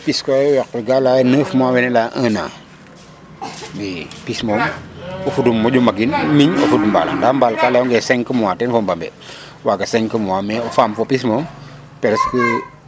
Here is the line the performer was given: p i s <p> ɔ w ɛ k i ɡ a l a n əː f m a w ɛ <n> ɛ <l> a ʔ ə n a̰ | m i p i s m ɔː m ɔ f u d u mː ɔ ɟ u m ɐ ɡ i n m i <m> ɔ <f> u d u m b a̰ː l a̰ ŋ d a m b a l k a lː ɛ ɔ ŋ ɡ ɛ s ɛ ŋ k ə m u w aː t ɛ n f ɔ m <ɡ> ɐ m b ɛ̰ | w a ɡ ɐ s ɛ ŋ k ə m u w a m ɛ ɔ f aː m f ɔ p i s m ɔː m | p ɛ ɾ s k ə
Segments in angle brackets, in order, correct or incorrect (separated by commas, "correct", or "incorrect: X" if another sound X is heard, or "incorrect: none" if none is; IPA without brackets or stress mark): incorrect: k, correct, correct, incorrect: ɲ, correct, incorrect: b